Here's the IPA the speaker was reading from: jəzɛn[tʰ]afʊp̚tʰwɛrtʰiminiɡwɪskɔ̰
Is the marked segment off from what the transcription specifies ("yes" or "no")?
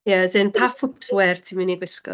yes